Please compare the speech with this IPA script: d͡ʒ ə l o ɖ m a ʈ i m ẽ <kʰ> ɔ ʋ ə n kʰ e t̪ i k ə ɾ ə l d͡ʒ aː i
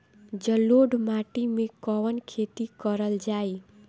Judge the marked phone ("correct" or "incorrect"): incorrect